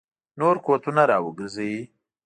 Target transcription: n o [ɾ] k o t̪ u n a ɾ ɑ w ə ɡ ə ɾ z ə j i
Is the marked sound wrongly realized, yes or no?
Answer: no